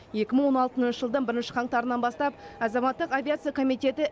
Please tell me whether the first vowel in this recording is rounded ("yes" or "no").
no